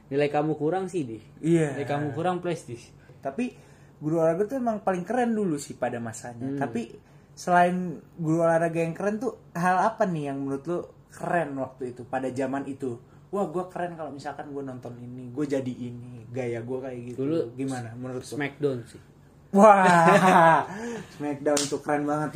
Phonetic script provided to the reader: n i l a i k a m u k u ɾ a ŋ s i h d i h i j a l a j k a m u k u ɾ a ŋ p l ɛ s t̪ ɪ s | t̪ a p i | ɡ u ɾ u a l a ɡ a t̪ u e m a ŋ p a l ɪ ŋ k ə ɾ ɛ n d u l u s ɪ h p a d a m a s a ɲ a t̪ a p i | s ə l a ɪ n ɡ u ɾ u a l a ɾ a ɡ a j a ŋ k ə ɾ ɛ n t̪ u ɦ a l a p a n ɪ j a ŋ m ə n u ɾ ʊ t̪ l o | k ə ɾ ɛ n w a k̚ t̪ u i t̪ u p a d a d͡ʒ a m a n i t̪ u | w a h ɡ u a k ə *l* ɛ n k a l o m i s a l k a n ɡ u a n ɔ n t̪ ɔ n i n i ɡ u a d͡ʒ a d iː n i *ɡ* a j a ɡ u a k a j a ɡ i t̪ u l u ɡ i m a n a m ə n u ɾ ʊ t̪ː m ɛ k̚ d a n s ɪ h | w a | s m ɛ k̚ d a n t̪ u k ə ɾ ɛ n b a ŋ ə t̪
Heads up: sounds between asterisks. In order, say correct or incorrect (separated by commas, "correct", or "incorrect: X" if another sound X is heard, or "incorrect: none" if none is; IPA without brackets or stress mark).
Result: incorrect: ɾ, correct